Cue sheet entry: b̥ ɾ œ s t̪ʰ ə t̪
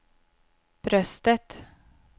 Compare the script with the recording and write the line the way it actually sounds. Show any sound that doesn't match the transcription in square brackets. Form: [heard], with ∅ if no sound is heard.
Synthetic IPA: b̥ ɾ œ s [t̪] ə t̪